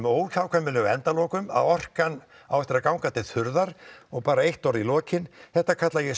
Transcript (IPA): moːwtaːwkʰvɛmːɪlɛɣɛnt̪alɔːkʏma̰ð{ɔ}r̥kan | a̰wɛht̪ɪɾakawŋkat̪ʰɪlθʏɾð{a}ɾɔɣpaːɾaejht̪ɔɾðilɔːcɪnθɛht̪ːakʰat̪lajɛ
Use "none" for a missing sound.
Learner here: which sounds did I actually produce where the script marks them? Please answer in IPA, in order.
ɔ, a

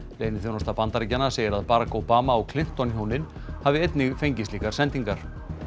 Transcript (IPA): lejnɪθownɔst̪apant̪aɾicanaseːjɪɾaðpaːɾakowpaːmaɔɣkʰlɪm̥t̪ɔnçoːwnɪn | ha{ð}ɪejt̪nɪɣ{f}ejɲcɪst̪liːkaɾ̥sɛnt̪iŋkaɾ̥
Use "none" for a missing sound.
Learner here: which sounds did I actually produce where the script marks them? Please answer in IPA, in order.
v, f

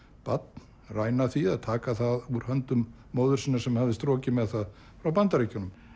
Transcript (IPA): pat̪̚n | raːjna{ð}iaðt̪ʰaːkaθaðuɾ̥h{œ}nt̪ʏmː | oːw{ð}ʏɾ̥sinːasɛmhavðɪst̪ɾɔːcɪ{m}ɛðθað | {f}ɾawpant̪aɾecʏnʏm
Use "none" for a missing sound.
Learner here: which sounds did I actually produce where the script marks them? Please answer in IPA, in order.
θ, œ, ð, m, f

